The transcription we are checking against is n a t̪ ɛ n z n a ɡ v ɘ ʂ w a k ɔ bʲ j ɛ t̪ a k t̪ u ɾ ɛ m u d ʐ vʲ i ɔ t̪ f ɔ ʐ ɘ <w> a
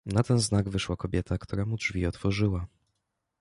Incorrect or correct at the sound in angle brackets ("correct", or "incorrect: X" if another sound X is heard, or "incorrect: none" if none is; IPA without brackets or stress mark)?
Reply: correct